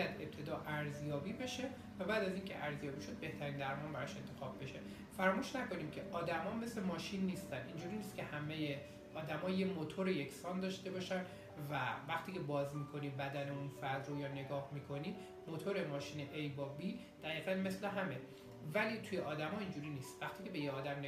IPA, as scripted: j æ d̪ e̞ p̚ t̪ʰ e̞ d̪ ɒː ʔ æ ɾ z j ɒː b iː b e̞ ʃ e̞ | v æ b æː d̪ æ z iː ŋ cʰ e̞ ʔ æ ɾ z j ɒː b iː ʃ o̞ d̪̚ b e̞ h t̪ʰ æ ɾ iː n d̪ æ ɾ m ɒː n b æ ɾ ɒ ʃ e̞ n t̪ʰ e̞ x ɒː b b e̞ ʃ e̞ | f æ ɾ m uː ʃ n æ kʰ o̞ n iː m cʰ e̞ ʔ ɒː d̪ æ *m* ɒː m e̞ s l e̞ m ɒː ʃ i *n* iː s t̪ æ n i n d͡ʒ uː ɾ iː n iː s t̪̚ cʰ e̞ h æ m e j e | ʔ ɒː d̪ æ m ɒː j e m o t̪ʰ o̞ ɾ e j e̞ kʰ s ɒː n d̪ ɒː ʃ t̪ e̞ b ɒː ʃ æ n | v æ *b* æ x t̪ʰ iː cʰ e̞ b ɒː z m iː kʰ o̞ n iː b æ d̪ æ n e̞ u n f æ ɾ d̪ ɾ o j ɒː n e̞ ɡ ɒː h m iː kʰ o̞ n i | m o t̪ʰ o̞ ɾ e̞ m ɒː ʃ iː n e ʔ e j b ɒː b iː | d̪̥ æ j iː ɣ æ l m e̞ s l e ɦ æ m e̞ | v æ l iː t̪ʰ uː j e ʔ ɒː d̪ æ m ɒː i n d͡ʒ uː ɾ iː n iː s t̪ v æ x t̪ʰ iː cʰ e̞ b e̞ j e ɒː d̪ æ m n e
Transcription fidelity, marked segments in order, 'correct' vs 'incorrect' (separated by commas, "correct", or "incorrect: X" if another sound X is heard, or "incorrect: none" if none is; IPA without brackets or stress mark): correct, incorrect: nː, incorrect: v